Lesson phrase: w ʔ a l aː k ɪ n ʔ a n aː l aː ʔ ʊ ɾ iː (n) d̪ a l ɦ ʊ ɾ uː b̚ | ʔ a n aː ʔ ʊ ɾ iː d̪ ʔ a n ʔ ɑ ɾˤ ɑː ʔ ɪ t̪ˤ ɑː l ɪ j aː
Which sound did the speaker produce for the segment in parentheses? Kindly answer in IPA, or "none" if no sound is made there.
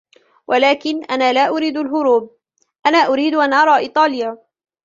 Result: none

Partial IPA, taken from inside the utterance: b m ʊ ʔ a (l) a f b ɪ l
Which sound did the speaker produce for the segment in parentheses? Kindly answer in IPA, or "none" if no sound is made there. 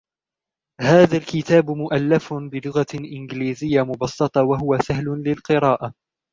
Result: lː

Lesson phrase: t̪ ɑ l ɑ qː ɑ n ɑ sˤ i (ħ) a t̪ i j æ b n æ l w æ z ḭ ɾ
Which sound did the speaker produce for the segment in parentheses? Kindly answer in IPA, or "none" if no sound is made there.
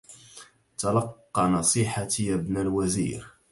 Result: ħ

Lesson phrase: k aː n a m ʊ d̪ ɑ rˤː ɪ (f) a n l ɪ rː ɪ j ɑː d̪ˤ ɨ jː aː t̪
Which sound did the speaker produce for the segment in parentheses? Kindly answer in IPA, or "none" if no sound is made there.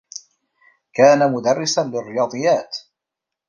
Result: s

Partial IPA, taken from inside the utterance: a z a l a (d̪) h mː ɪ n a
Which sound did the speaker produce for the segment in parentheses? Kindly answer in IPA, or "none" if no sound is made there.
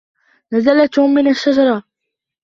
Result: t̪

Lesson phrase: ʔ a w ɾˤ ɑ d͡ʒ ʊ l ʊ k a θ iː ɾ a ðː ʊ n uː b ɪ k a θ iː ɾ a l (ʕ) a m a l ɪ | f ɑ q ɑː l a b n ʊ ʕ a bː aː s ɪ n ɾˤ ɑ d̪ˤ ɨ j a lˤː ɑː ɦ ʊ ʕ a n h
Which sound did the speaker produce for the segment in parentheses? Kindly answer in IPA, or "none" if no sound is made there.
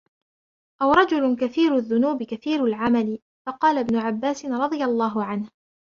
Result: ʕ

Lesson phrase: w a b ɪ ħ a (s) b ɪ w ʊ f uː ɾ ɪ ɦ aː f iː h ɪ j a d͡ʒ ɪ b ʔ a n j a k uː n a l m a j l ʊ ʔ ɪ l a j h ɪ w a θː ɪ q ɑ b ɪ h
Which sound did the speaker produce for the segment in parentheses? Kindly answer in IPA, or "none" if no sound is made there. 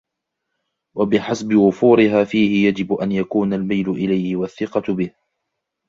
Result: s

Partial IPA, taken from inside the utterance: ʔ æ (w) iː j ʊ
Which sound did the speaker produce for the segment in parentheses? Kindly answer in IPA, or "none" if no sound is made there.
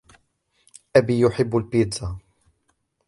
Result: b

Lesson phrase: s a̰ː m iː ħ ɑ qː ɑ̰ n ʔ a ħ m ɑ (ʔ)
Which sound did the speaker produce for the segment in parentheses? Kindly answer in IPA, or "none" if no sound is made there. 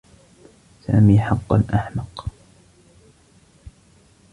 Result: q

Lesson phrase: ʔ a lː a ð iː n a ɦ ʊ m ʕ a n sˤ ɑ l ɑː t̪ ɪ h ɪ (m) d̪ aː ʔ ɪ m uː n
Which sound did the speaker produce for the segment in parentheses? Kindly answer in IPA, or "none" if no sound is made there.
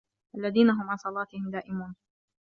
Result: m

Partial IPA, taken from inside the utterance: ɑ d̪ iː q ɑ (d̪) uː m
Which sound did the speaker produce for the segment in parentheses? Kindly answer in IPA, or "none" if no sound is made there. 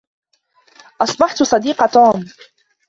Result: t̪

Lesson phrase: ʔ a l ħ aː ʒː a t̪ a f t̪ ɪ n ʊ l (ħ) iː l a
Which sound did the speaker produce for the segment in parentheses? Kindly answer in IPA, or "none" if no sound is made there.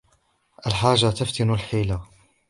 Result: ħ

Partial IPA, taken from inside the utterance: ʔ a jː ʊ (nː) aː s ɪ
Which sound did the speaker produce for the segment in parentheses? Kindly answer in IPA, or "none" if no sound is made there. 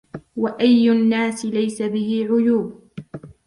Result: nː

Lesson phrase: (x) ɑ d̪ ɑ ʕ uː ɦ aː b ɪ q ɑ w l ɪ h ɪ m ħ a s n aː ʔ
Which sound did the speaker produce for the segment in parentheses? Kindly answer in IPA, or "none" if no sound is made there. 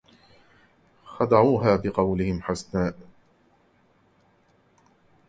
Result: x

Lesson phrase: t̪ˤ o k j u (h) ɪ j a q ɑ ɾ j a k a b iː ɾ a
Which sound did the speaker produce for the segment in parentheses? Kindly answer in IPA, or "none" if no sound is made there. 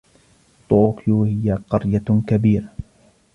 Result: h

